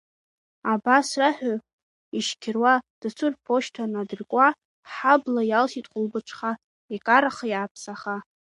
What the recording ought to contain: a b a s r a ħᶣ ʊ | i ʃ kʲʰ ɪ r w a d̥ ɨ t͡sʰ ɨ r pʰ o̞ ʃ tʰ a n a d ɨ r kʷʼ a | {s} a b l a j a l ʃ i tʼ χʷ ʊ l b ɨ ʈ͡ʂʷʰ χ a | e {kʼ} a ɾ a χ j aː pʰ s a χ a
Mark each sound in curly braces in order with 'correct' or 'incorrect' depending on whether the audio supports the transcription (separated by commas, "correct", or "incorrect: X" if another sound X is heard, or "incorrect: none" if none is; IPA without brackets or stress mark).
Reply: incorrect: ħ, correct